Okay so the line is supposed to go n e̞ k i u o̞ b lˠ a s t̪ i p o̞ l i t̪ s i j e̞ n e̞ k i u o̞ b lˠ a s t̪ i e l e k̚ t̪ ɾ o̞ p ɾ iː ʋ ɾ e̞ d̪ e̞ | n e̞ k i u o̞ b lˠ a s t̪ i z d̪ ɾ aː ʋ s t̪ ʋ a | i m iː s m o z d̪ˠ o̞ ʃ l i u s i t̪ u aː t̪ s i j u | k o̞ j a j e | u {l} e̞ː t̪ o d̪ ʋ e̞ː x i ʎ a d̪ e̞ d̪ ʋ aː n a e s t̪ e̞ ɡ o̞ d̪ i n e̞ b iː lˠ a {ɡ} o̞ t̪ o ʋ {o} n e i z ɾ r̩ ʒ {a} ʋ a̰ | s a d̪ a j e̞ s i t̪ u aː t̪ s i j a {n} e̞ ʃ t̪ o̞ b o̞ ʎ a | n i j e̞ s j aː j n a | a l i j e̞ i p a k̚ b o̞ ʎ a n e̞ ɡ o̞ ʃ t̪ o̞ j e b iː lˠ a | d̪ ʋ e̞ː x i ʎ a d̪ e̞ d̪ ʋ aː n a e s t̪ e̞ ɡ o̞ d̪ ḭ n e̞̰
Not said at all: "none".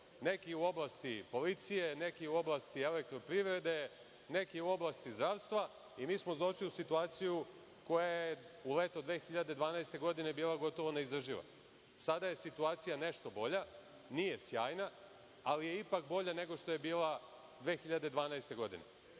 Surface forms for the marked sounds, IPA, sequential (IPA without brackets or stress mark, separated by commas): l, ɡ, o, i, n